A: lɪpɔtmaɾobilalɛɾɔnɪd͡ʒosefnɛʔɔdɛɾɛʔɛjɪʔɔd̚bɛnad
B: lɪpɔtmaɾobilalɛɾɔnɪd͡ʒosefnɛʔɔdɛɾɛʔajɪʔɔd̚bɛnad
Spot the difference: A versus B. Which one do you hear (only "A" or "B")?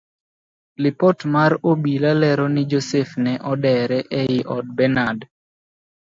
A